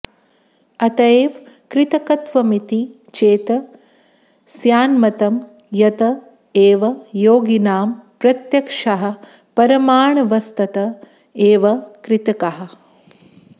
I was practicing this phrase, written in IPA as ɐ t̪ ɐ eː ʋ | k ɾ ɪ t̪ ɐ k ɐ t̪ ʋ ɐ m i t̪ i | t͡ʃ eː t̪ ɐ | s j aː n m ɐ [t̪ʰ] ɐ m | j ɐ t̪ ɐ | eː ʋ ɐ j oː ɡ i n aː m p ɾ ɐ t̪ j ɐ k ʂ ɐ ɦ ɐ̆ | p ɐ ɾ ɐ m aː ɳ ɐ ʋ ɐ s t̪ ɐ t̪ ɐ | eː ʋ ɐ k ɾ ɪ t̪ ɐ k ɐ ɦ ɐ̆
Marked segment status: incorrect: t̪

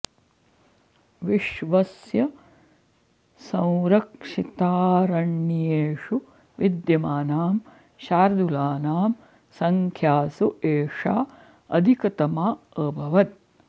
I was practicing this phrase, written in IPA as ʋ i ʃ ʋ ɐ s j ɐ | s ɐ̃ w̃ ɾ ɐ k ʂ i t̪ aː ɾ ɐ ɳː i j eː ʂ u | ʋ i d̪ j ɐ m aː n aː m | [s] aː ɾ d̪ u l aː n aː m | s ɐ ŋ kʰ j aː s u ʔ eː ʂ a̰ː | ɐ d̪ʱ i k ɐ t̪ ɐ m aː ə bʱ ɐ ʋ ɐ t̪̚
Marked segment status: incorrect: ʃ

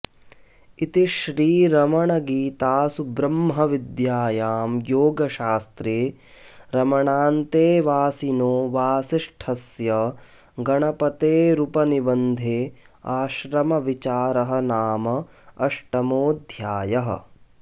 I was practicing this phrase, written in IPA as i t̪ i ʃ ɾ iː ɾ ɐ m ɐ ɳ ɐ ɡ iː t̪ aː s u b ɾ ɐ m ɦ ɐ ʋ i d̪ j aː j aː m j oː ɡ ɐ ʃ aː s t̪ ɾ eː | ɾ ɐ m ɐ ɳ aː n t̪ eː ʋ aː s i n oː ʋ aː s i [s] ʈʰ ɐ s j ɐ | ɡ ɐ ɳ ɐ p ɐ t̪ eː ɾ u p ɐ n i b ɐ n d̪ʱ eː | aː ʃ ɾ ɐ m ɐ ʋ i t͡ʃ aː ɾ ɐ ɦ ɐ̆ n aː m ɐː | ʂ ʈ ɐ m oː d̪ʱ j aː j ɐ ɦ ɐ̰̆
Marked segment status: incorrect: ʂ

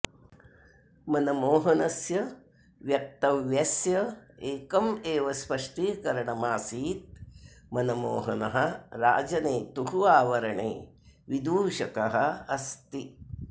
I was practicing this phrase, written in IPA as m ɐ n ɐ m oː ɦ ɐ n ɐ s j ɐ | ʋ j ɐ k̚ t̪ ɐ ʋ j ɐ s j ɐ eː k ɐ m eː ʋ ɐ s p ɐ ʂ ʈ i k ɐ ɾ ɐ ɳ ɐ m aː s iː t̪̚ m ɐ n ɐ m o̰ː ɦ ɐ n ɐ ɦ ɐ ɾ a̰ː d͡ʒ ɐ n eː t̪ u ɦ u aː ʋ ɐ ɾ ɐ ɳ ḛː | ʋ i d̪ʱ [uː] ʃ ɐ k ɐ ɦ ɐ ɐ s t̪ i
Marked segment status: correct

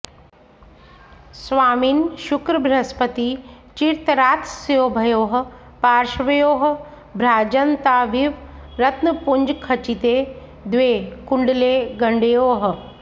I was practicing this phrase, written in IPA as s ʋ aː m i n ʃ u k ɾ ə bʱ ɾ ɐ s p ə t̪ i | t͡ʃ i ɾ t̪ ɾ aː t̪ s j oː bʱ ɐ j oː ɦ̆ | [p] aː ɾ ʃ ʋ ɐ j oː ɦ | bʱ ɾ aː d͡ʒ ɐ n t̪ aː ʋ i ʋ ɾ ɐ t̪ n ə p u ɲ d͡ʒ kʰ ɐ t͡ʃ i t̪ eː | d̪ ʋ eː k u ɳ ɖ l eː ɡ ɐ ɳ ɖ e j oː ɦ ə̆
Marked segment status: correct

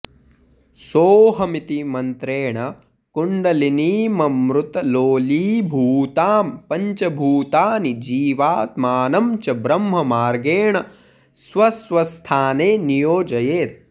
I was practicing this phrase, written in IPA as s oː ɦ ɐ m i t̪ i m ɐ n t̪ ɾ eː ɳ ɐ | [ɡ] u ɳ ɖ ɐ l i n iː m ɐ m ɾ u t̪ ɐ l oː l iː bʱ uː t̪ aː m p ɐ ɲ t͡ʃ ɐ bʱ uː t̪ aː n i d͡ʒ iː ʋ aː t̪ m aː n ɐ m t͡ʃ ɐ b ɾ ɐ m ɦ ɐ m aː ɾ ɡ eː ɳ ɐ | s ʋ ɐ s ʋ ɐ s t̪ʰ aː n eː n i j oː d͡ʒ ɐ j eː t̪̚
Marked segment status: incorrect: k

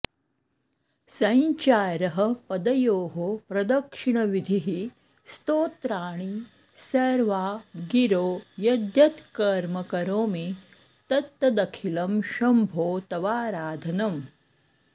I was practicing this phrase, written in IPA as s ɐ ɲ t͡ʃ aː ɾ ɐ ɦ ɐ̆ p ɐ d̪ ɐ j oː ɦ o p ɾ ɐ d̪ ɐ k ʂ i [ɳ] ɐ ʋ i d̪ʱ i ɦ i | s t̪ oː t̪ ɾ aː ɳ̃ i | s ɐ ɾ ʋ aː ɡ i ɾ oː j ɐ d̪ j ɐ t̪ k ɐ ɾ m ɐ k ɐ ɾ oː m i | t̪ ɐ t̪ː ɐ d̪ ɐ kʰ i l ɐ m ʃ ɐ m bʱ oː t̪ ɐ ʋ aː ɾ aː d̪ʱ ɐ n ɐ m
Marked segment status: correct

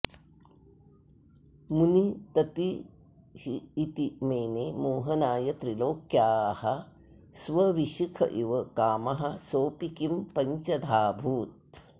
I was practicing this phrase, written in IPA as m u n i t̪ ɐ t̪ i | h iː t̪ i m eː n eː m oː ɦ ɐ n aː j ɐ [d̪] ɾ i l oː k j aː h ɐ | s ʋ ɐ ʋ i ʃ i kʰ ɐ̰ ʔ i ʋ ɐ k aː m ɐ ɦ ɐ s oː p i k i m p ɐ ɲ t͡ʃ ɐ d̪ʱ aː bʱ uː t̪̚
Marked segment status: incorrect: t̪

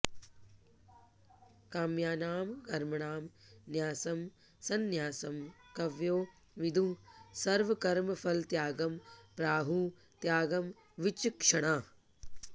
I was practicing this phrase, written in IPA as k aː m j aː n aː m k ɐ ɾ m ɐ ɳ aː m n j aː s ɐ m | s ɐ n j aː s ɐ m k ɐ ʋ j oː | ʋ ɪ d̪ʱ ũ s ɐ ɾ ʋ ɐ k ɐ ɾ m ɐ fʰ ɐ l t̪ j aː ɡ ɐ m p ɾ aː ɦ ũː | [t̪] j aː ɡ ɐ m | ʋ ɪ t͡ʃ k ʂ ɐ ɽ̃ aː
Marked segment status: correct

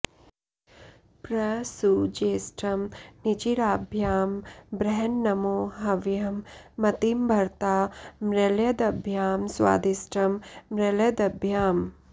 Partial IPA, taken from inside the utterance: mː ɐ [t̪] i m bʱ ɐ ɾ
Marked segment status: correct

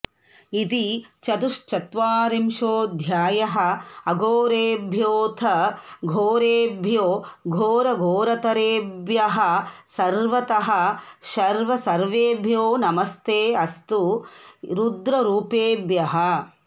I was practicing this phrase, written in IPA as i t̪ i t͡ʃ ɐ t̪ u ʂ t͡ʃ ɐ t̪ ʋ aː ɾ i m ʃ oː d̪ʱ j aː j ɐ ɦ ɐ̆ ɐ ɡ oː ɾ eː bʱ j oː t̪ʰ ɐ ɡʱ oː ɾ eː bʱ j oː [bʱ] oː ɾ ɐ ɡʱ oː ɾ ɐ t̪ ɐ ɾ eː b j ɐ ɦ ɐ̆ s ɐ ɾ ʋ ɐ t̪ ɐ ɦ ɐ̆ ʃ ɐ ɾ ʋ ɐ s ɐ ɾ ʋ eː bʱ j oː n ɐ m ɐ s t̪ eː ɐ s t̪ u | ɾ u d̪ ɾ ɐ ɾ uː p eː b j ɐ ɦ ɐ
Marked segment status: incorrect: ɡʱ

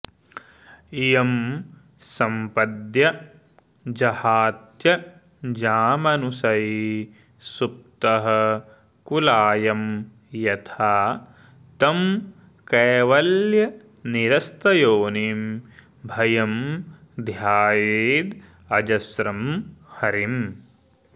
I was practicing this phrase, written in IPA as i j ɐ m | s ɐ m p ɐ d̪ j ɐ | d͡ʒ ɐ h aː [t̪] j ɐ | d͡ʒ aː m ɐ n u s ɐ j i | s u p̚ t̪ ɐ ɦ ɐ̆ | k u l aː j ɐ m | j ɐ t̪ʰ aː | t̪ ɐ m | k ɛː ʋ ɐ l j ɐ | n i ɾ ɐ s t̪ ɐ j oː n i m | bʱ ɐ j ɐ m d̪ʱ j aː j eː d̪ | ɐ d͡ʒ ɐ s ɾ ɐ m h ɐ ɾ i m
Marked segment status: correct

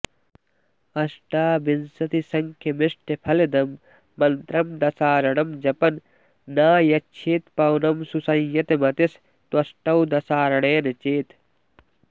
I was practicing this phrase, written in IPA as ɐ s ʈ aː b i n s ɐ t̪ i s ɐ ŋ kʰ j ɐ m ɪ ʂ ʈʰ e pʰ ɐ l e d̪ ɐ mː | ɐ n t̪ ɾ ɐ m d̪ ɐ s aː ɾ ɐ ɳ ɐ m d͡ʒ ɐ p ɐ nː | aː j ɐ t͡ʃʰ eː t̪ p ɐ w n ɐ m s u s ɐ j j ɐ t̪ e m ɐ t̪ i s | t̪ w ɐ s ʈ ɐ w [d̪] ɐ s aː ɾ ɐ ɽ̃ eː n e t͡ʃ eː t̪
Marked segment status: correct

